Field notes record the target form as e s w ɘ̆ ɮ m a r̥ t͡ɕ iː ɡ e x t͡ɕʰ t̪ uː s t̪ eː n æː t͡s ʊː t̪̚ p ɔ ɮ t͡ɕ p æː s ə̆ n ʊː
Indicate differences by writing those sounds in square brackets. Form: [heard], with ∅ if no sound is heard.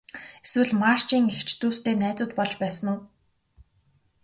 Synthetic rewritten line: e s w ɘ̆ ɮ m a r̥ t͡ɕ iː [ŋ] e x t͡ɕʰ t̪ uː s t̪ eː n æː t͡s ʊː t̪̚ p ɔ ɮ t͡ɕ p æː s ə̆ n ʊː